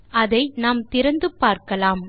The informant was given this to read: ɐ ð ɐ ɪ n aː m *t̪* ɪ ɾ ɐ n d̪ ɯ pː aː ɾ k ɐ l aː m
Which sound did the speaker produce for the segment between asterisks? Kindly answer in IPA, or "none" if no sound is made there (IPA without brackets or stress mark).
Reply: t̪